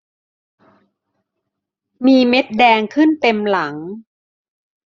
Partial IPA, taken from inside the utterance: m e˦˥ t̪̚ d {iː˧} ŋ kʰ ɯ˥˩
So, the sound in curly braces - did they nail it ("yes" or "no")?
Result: no